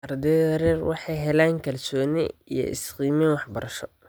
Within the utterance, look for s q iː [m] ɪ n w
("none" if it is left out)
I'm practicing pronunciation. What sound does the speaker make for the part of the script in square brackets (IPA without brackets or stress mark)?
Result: m